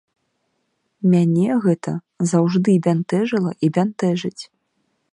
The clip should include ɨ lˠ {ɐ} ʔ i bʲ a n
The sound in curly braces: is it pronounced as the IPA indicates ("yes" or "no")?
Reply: yes